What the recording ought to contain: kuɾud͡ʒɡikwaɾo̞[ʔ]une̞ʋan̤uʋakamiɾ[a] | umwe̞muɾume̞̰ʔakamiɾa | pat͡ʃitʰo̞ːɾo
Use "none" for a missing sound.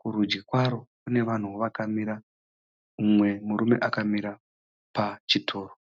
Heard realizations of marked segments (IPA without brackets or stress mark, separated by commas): k, a